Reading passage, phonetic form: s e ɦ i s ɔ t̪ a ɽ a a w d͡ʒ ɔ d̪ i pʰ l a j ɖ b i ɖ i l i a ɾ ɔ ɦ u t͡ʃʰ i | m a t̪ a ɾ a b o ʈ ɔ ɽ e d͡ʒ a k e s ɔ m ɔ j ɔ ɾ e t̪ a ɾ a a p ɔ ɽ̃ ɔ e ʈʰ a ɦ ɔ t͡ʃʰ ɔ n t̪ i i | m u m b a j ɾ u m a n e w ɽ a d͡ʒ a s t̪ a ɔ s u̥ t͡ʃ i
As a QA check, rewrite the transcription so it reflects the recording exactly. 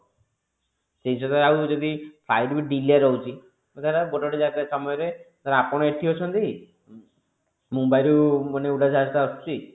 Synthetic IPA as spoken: s e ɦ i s ɔ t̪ a ɾ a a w d͡ʒ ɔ d̪ i pʰ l a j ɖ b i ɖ i l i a ɾ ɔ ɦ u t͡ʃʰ i | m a t̪ a ɾ a b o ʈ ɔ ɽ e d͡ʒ a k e s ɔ m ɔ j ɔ ɾ e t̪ a ɾ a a p ɔ ɽ̃ ɔ e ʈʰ i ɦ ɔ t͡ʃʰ ɔ n t̪ i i | m u m b a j ɾ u m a n e u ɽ a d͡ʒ a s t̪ a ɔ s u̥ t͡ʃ i